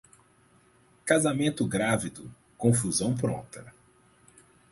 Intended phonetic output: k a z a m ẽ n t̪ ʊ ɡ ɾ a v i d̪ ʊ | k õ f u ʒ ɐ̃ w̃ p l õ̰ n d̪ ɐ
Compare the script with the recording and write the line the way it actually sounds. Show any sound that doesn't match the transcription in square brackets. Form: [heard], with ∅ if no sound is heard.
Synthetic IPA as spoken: k a z a m ẽ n t̪ ʊ ɡ ɾ a v i d̪ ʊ | k õ f u [z] ɐ̃ w̃ p [ɾ] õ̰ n [t̪] ɐ

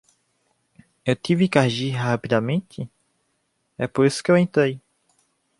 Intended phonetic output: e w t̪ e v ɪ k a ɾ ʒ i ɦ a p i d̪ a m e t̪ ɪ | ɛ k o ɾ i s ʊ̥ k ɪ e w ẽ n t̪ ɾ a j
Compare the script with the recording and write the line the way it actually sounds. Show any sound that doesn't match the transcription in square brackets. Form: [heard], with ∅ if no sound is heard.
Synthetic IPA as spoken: e w t̪ [i] v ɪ k a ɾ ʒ i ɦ a p i d̪ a m [ẽ] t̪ ɪ | ɛ [p] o ɾ i s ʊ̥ k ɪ e w ẽ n t̪ ɾ [e] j

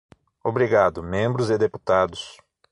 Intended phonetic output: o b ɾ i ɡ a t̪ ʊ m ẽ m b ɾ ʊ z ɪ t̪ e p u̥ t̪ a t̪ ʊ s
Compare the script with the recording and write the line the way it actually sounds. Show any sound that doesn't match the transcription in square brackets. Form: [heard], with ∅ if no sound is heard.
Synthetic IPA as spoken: o b ɾ i ɡ a [d̪] ʊ m ẽ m b ɾ ʊ z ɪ [d̪] e p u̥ t̪ a [d̪] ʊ s

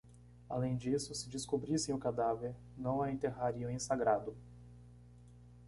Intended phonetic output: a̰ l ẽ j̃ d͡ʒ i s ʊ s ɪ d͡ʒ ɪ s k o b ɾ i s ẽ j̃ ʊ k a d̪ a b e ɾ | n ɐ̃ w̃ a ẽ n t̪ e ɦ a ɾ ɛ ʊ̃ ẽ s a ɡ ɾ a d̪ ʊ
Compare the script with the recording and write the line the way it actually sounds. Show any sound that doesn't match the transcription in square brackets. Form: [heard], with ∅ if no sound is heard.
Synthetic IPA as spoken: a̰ l ẽ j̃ d͡ʒ i s ʊ s ɪ d͡ʒ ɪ s k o b ɾ i s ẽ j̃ ʊ k a d̪ a [v] e ɾ | n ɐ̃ w̃ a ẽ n t̪ e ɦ a ɾ [i] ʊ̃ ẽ s a ɡ ɾ a d̪ ʊ

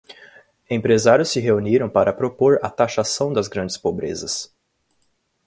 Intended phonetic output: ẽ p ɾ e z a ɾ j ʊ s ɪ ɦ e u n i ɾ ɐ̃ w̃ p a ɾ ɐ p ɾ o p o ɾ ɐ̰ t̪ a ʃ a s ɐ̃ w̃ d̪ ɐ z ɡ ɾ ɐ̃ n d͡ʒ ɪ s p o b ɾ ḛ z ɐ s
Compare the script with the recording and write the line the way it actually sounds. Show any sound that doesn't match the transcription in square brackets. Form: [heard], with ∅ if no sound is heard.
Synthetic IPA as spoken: ẽ p ɾ e z a ɾ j ʊ s ɪ ɦ e u n i ɾ ɐ̃ w̃ p a ɾ ɐ p ɾ o p o ɾ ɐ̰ t̪ a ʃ a s ɐ̃ w̃ d̪ ɐ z ɡ ɾ ɐ̃ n d͡ʒ ɪ s p o b ɾ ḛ z ɐ s

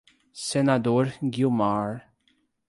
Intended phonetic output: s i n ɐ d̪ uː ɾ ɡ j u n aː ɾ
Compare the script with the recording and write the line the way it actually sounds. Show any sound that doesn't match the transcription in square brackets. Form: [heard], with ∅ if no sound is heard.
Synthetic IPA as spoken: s [ɛ] n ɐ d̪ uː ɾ ɡ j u [m] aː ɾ

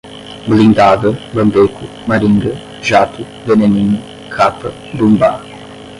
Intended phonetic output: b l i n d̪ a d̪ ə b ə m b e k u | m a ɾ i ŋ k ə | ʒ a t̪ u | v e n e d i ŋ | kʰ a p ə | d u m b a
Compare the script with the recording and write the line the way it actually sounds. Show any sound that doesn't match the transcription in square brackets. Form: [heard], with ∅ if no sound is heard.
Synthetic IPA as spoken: b l i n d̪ a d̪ ə b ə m b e k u | m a ɾ i ŋ [ɡ] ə | ʒ a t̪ u | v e n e [n] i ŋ | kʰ a p ə | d u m b a

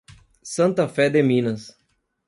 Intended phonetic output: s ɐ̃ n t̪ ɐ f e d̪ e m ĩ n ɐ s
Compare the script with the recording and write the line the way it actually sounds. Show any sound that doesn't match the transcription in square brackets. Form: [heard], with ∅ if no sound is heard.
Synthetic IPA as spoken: s ɐ̃ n t̪ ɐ f [ɛ] d̪ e m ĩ n ɐ s

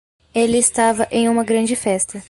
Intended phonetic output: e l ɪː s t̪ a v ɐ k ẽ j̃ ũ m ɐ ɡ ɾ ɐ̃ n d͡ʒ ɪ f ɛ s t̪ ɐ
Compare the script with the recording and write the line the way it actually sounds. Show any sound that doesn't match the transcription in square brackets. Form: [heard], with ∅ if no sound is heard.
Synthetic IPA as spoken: e l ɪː s t̪ a v ɐ [ʔ] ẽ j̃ ũ m ɐ ɡ ɾ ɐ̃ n d͡ʒ ɪ f ɛ s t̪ ɐ

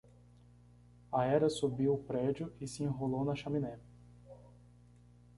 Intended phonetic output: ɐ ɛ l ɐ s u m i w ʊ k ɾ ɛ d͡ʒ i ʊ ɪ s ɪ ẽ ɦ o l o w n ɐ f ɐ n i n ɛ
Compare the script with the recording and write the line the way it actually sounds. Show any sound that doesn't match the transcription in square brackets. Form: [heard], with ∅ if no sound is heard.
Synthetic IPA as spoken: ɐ ɛ [ɾ] ɐ s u [b] i w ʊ [p] ɾ ɛ d͡ʒ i ʊ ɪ s ɪ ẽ ɦ o l o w n ɐ [ʃ] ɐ [m] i n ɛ

